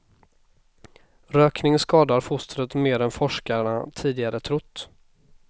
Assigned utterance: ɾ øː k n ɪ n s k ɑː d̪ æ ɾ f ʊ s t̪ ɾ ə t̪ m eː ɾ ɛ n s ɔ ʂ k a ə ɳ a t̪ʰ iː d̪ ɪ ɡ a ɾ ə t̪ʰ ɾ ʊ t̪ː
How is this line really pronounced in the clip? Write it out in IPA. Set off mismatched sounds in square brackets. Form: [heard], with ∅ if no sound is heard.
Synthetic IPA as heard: ɾ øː k n ɪ [ŋ] s k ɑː d̪ [a] ɾ f ʊ s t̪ ɾ ə t̪ m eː ɾ ɛ n [f] ɔ ʂ k a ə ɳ a t̪ʰ iː d̪ ɪ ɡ a ɾ ə t̪ʰ ɾ ʊ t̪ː